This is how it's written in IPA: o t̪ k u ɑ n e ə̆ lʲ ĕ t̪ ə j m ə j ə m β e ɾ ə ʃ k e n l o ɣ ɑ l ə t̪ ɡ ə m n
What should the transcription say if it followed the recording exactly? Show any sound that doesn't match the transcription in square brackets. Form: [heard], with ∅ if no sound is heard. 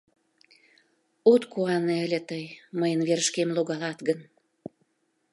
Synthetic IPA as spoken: o t̪ k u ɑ n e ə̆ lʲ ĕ t̪ ə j m ə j ə [n] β e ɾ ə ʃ k e [m] l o ɣ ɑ l [ɑ] t̪ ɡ ə [∅] n

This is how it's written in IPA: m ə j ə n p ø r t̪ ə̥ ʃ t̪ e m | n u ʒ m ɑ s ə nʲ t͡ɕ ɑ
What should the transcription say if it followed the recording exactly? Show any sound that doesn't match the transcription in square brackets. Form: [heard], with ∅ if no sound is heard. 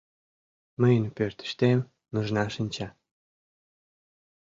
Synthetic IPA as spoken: m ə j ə n p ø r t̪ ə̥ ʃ t̪ e m | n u ʒ [n] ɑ [ʃ] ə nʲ t͡ɕ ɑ

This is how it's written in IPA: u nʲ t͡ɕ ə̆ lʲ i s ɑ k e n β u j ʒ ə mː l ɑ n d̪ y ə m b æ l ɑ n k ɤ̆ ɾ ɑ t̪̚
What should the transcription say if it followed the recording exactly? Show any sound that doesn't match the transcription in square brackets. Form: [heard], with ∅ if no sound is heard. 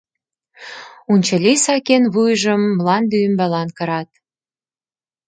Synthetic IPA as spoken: u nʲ t͡ɕ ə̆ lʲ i s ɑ k e n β u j ʒ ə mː l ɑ n d̪ y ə m b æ l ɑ n k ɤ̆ ɾ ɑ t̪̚

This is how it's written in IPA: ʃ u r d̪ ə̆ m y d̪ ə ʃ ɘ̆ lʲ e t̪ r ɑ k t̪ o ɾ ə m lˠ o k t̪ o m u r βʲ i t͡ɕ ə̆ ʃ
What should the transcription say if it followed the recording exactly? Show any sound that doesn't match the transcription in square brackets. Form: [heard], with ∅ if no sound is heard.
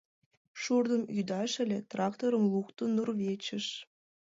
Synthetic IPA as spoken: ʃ u r d̪ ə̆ m y d̪ [ɑ] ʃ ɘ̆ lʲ e t̪ r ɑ k t̪ o ɾ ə m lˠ [u] k t̪ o [n] u r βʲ [e] t͡ɕ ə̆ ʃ

